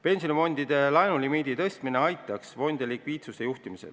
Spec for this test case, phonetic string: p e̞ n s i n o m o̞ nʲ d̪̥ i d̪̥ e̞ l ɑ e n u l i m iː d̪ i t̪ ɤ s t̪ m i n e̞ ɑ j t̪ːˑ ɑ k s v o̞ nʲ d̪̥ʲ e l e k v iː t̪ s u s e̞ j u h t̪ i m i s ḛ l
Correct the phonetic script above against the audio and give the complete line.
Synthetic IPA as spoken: p e̞ n s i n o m o̞ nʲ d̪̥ i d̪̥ e̞ l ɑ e n u l i m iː d̪ i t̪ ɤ s t̪ m i n e̞ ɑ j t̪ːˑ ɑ k s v o̞ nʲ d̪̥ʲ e l i k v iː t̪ s u s e̞ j u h t̪ i m i s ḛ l